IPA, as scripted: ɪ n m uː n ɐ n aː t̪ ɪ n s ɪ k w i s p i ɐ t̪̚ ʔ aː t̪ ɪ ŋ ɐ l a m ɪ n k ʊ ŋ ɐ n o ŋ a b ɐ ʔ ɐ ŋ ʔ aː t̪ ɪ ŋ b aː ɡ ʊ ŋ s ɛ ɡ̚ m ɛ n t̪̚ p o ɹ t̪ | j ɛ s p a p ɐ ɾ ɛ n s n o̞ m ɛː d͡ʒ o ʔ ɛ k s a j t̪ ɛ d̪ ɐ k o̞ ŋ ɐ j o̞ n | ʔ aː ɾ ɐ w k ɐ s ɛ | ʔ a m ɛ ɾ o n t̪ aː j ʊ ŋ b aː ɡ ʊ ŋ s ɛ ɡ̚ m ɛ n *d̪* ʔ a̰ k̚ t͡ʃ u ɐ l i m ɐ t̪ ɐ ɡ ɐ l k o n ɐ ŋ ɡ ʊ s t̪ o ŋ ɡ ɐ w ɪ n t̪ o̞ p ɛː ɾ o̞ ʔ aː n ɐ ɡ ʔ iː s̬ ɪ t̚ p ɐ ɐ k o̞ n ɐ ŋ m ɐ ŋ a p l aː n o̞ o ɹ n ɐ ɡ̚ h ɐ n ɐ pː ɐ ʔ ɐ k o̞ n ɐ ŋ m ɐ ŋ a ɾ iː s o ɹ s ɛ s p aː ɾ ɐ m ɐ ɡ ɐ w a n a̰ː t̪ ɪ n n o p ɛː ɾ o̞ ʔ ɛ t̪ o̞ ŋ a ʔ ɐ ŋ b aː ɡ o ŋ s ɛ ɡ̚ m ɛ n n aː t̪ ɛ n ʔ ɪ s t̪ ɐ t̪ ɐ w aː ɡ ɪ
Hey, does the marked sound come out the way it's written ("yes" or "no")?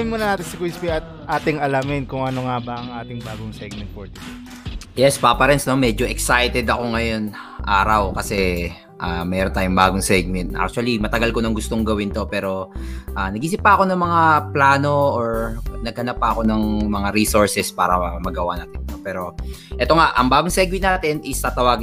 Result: no